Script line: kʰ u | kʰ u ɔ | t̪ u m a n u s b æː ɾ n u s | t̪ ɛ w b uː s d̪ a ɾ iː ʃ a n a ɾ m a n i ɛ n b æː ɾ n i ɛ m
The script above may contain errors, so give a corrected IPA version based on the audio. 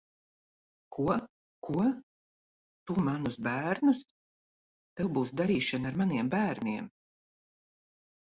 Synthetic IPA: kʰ u | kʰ u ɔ | t̪ u m a n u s b æː ɾ n u s | t̪ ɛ w b uː s d̪ a ɾ iː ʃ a n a ɾ m a n i ɛ m b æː ɾ n i ɛ m